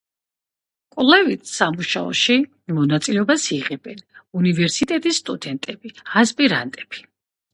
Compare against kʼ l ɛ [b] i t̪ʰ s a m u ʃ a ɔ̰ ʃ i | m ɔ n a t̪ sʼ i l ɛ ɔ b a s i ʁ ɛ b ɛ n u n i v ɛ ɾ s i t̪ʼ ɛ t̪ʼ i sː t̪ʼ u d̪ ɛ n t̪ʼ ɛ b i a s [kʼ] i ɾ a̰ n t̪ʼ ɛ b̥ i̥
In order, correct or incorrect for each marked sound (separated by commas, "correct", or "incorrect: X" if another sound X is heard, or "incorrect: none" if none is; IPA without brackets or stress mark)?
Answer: incorrect: v, incorrect: pʼ